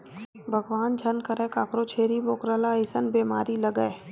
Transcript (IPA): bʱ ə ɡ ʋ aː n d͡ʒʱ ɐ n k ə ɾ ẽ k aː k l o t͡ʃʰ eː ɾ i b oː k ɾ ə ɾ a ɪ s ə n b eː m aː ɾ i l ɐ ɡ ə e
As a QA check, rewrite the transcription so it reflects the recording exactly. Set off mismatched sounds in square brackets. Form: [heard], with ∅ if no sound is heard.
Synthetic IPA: bʱ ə ɡ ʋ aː n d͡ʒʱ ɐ n k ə ɾ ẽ k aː k [ɾ] o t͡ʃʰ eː ɾ i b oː k ɾ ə [l] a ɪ s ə n b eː m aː ɾ i l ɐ ɡ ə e